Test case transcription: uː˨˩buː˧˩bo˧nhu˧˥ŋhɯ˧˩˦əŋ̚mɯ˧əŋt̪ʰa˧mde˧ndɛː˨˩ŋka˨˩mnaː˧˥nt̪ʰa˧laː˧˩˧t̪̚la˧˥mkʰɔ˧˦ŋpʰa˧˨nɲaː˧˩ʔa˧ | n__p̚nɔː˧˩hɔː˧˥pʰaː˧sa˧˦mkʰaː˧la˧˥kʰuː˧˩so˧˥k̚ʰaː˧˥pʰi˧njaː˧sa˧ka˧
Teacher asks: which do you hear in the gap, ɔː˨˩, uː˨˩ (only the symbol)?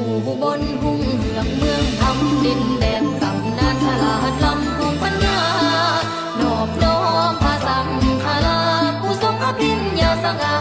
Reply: ɔː˨˩